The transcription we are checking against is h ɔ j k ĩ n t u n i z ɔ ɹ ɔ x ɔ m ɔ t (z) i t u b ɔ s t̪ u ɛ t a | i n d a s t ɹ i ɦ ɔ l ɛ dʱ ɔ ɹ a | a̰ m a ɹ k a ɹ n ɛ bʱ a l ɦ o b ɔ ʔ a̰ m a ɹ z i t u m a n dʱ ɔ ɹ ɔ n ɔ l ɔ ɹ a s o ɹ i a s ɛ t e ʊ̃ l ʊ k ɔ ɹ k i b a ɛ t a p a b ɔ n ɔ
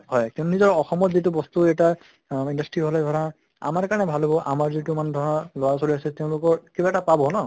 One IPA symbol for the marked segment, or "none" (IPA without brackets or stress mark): z